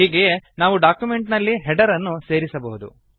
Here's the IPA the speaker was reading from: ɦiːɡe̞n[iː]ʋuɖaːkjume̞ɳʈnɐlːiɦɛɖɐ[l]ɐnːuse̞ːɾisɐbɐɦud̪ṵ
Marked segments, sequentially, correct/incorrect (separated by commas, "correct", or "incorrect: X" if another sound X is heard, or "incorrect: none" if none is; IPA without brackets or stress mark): incorrect: aː, incorrect: ɾ